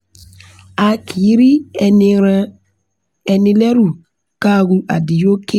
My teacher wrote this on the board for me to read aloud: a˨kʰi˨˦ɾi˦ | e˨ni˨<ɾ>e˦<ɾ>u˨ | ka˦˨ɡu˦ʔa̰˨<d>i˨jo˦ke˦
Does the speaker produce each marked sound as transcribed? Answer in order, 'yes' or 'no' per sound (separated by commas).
no, yes, yes